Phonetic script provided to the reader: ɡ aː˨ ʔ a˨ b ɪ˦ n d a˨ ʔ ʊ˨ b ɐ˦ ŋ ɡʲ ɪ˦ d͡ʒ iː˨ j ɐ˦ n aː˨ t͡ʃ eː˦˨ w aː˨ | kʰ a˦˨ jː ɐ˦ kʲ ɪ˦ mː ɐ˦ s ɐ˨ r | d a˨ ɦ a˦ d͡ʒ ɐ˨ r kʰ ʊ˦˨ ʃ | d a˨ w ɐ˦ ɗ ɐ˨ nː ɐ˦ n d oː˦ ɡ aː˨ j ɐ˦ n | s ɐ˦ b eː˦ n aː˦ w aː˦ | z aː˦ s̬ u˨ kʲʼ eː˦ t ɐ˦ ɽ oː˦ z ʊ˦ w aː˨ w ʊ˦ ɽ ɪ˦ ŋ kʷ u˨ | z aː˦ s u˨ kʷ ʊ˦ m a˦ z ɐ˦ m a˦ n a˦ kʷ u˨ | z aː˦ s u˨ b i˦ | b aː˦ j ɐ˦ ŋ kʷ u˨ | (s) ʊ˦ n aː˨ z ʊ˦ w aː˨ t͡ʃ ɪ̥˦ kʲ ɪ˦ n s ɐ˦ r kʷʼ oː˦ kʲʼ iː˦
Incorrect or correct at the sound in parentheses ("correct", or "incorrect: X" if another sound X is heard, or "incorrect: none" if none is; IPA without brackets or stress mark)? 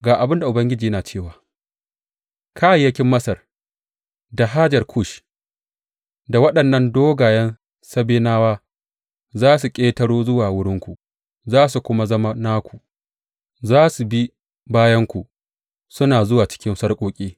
correct